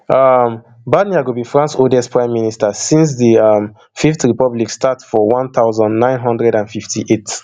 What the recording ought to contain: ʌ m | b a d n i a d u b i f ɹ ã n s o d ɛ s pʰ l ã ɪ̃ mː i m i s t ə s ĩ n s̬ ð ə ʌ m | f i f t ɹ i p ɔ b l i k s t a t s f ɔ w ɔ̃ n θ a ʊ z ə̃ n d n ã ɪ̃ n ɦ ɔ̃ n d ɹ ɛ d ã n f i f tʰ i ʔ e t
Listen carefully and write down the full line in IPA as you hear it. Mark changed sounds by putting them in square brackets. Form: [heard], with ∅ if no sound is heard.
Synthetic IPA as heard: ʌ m | b a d n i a [ɡ] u b i f ɹ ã n s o d ɛ s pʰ [ɹ] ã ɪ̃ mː i [n] i s t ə s ĩ n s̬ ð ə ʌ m | f i f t ɹ i p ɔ b l i k s t a t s f ɔ w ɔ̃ n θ a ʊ z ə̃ n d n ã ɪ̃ n ɦ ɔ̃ n d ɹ ɛ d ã n f i f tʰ i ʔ e t